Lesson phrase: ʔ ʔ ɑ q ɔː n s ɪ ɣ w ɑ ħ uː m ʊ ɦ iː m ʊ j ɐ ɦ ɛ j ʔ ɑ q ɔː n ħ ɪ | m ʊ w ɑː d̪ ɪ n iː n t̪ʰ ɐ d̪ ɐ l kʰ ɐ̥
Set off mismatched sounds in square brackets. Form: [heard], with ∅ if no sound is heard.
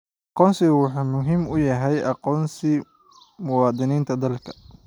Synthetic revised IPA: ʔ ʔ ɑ q ɔː n s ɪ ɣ w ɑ ħ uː m ʊ ɦ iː m ʊ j ɐ ɦ ɛ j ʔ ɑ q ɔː n [s] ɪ | m ʊ w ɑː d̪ ɪ n iː n t̪ʰ ɐ d̪ ɐ l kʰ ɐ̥